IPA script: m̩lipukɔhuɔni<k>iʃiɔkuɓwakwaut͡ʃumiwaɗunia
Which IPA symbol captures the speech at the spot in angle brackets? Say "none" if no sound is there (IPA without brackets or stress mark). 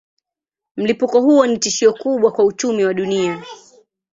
t